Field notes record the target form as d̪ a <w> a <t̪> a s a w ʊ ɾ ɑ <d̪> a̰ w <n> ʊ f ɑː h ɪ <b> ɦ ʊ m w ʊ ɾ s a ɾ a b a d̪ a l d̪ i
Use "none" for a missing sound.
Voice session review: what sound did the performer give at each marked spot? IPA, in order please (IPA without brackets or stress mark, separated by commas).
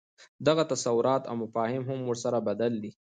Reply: ɣ, t̪, t̪, m, m